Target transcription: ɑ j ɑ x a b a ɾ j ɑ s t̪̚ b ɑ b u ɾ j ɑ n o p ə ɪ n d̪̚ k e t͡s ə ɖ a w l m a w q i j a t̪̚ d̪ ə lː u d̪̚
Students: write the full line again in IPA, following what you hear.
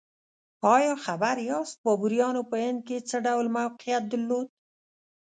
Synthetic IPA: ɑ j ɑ x a b a ɾ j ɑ s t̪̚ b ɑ b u ɾ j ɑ n o p ə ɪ n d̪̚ k e t͡s ə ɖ a w l m a w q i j a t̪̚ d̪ ə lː o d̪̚